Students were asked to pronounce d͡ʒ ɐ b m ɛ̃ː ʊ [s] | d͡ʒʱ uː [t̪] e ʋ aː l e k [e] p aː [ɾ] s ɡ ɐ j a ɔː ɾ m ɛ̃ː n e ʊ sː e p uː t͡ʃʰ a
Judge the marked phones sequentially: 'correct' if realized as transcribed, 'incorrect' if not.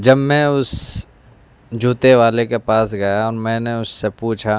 correct, correct, correct, incorrect: none

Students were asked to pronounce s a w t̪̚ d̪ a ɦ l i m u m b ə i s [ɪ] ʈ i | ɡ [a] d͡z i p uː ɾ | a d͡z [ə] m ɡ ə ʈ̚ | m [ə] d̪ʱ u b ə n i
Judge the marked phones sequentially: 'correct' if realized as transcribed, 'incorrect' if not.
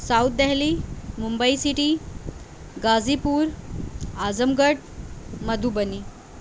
incorrect: i, correct, correct, correct

